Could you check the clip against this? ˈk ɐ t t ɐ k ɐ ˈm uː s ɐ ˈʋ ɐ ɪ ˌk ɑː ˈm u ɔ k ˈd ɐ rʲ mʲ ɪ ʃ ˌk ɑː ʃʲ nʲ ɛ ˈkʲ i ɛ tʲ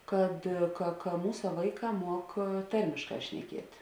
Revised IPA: ˈk ɐ t k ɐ k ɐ ˈm uː s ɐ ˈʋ ɐ ɪ ˌk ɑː ˈm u ɔ k ˈt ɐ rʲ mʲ ɪ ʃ ˌk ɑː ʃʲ nʲ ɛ ˈkʲ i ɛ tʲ